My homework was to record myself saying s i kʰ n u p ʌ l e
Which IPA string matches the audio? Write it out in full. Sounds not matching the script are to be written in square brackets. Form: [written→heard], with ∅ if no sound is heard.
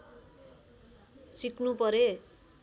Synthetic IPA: s i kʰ n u p ʌ [l→ɾ] e

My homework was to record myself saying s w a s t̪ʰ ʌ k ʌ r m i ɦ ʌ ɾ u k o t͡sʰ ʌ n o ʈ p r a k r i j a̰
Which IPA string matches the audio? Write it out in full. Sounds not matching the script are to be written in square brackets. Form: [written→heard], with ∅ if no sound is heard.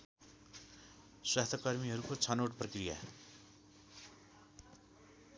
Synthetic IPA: s w a s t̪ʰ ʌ k ʌ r m i ɦ ʌ ɾ u k o t͡sʰ ʌ n o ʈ p r [a→ʌ] k r i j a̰

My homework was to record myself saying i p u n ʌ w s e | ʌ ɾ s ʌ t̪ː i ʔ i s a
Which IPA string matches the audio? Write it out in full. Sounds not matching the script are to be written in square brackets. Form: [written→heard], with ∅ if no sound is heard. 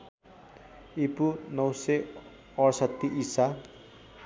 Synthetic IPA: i p u n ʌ w s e | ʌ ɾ s ʌ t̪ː i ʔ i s a

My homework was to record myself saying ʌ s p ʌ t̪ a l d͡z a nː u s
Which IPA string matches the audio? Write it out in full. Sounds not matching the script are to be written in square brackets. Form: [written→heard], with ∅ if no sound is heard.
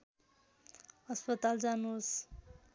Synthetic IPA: ʌ s p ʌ t̪ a l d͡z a [nː→n] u s

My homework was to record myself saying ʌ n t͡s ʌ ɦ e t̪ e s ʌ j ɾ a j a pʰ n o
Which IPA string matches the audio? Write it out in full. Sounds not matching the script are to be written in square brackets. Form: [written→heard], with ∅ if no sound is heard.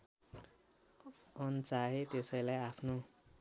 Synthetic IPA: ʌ n t͡s [ʌ→a] ɦ e t̪ e s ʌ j [ɾ→l] a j a pʰ n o

